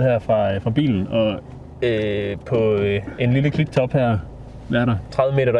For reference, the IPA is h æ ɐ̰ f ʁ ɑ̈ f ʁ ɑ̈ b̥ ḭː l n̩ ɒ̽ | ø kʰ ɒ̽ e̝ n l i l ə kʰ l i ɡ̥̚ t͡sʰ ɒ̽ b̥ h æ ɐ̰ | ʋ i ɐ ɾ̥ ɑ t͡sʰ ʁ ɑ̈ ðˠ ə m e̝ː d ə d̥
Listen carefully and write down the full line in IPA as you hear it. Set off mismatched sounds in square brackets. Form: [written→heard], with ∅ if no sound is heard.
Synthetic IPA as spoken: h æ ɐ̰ f ʁ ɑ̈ f ʁ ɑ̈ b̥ ḭː l n̩ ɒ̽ | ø [kʰ→pʰ] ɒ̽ e̝ n l i l ə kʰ l i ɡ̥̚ t͡sʰ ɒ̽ b̥ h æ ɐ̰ | ʋ [i→æ] ɐ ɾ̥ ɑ t͡sʰ ʁ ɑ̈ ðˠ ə m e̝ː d [ə→ɐ] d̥